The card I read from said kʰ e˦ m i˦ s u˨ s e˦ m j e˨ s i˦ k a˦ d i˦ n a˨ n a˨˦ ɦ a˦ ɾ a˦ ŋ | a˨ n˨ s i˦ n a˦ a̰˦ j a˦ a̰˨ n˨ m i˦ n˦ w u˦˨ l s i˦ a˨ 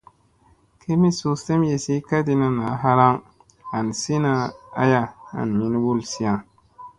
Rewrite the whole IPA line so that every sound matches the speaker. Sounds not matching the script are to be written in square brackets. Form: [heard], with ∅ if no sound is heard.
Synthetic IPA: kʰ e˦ m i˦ s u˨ s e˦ m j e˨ s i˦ k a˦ d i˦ n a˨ n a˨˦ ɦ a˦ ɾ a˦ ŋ | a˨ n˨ s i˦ n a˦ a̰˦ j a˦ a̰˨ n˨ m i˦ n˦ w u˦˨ l s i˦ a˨